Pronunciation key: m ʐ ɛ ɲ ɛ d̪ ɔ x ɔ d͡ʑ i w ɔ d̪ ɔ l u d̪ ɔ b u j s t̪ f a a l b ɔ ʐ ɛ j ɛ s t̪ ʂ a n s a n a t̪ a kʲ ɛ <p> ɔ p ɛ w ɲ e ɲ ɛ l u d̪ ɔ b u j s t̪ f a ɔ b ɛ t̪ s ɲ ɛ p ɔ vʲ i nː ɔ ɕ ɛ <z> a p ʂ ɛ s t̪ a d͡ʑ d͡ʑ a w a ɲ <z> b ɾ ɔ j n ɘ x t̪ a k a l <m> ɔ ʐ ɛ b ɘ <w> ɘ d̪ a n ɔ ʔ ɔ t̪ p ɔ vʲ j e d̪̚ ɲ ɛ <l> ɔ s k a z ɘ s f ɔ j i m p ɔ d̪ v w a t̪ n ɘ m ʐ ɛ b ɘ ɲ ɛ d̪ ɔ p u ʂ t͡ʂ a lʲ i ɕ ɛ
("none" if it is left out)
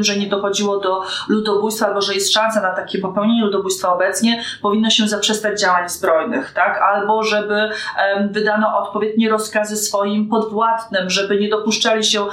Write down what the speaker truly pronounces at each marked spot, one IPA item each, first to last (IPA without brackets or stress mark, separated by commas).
p, z, z, b, v, ɾ